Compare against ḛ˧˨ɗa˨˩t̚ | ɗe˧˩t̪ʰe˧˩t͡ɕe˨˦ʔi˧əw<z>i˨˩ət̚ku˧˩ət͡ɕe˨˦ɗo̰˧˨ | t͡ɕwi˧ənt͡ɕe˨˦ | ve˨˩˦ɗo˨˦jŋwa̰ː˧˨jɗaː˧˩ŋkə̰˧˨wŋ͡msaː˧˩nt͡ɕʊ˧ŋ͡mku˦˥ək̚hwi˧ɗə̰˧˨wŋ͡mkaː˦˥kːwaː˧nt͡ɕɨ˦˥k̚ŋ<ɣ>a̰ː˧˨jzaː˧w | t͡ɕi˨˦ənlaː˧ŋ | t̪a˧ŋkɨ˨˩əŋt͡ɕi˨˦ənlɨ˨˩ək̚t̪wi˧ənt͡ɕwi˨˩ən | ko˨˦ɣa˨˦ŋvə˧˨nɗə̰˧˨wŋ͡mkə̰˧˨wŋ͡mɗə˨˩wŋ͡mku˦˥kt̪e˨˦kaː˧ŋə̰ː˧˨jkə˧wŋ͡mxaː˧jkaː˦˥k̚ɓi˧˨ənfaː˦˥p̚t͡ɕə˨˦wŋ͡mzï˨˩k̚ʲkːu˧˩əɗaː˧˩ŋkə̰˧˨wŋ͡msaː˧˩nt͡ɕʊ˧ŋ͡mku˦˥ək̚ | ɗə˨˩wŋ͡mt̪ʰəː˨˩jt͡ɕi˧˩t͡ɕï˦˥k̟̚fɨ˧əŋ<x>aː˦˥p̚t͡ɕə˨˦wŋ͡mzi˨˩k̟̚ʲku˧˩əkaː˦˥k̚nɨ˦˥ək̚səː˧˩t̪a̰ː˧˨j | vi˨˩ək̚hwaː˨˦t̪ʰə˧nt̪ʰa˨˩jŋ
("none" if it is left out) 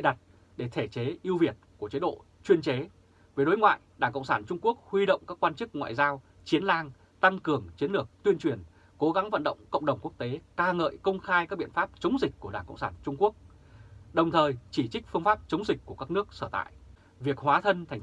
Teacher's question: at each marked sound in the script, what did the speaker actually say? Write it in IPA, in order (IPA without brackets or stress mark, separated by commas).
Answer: v, w, f